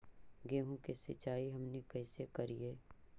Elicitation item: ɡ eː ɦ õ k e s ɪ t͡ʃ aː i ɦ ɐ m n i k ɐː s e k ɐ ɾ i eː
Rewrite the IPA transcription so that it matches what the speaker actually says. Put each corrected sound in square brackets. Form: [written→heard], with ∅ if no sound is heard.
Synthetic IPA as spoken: ɡ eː ɦ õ k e s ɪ t͡ʃ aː i ɦ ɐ m n [i→e] k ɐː s e k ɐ ɾ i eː